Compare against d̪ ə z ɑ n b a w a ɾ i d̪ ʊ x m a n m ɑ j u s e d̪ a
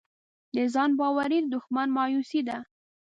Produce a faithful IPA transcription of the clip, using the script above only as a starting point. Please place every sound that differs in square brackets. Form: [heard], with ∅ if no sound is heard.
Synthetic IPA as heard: d̪ ə z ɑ n b [ɑ] w a ɾ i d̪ ʊ x m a n m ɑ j u s [i] d̪ a